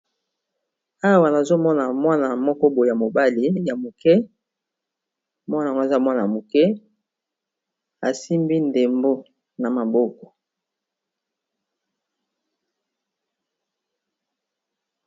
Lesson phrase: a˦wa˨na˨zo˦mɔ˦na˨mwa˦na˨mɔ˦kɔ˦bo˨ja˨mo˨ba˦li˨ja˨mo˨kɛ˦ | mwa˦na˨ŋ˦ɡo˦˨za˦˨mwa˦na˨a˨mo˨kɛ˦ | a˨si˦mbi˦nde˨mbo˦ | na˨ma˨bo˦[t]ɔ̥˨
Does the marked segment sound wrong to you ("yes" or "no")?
yes